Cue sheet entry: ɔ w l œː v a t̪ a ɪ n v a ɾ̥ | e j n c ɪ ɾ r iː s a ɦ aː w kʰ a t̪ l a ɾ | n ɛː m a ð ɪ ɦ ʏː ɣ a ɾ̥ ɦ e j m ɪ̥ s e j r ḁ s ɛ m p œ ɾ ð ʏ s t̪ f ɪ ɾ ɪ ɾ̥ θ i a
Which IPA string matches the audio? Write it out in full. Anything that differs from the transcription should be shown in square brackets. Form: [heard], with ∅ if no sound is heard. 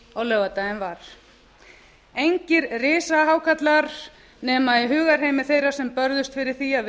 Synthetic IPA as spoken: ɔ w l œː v a t̪ a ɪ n v a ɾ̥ | e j [ɲ] c ɪ ɾ r [ɪː] s a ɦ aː w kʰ a t̪ l a ɾ | n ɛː m a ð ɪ ɦ ʏː ɣ a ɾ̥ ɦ e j m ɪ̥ [θ] e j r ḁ s ɛ m p œ ɾ ð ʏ s t̪ f ɪ ɾ ɪ ɾ̥ θ i a